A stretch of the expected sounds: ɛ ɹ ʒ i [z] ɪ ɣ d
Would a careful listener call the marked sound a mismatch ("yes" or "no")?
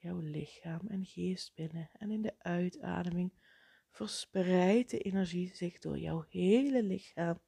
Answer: no